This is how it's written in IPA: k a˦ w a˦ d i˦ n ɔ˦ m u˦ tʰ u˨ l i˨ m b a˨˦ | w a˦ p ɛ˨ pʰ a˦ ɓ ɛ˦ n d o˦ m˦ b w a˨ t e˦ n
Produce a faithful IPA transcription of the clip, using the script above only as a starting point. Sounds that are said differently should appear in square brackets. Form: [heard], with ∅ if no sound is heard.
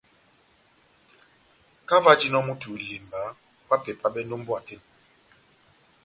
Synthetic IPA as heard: k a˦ [v] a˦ [d͡ʒ] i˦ n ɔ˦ m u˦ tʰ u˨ l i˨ m b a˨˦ | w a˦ p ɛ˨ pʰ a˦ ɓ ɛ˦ n d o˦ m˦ b w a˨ t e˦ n